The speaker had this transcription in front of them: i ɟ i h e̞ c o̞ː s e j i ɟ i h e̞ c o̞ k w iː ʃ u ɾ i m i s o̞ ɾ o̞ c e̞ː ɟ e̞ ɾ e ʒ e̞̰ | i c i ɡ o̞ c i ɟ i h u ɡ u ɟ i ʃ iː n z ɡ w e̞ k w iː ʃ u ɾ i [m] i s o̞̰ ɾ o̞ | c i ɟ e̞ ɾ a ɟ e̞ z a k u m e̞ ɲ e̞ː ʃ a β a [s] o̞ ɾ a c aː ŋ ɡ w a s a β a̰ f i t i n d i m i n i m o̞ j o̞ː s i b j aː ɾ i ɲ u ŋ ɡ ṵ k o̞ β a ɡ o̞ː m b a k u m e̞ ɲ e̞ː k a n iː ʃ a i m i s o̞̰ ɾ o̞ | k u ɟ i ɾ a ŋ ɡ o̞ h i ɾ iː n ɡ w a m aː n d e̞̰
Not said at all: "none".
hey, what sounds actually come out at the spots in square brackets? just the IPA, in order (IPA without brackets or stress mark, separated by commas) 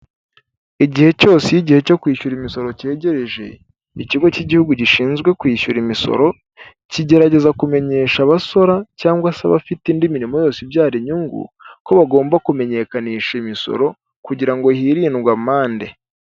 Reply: m, s